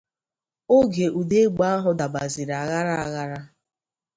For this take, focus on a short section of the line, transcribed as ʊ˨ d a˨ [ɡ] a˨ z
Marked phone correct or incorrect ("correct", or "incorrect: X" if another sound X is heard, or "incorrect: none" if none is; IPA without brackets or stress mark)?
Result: incorrect: b